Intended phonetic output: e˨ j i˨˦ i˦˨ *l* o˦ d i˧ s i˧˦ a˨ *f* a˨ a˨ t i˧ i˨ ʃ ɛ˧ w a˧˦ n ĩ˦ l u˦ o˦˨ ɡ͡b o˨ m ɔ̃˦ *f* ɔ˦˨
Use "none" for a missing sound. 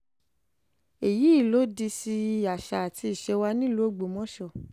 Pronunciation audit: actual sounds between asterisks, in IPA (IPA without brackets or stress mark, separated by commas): l, ʃ, ʃ